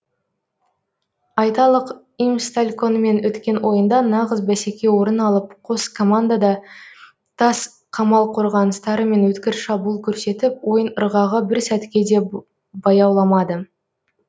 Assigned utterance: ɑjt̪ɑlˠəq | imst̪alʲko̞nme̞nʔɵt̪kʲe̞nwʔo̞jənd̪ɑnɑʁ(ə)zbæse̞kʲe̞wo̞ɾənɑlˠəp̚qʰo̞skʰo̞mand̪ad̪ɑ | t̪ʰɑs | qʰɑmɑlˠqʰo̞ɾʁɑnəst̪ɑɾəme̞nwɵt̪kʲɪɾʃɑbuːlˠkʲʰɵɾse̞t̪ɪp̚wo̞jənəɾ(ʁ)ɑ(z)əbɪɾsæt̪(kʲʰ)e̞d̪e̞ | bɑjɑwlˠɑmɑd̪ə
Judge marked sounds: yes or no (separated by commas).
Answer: yes, yes, no, no